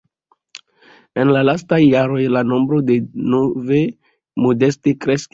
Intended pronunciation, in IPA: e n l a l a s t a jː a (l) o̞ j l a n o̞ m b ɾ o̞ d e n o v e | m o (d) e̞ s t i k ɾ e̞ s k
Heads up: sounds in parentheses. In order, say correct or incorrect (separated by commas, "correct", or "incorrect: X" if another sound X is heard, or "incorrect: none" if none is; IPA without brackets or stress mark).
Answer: incorrect: ɾ, correct